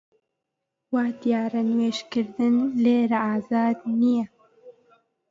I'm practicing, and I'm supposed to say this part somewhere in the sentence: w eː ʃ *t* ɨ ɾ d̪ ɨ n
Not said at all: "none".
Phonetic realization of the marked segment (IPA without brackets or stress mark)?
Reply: k